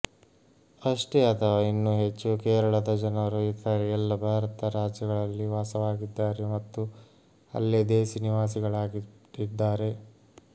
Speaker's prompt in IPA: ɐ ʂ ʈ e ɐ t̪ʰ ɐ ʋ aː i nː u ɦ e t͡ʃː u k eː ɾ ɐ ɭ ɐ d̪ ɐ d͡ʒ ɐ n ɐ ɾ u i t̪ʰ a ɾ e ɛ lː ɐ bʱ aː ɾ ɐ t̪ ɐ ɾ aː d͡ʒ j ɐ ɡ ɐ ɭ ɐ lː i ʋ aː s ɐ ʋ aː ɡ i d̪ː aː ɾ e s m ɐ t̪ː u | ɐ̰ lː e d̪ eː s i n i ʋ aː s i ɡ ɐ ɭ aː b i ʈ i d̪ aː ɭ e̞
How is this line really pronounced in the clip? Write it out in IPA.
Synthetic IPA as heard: ɐ ʂ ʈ e ɐ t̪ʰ ɐ ʋ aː i nː u ɦ e t͡ʃː u k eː ɾ ɐ ɭ ɐ d̪ ɐ d͡ʒ ɐ n ɐ ɾ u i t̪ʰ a ɾ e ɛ lː ɐ bʱ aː ɾ ɐ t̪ ɐ ɾ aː d͡ʒ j ɐ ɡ ɐ ɭ ɐ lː i ʋ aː s ɐ ʋ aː ɡ i d̪ː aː ɾ e m ɐ t̪ː u | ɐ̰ lː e d̪ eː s i n i ʋ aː s i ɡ ɐ ɭ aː ɡ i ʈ i d̪ː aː ɾ e̞